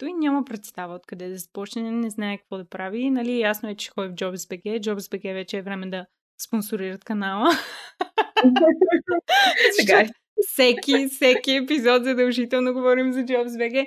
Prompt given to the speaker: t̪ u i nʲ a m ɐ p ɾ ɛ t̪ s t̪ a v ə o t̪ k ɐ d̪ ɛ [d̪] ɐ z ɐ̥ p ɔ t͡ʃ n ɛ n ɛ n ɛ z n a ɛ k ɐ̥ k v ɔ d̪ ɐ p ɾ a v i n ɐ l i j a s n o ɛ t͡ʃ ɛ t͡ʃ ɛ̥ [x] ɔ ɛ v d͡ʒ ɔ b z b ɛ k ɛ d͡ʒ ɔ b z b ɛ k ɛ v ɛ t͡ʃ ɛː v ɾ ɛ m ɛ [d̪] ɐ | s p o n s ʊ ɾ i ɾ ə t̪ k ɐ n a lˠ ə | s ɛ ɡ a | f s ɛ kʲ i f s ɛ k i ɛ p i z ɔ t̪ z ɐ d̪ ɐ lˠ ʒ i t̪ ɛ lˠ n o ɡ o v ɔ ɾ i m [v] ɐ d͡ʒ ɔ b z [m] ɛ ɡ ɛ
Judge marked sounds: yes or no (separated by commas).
yes, yes, yes, no, no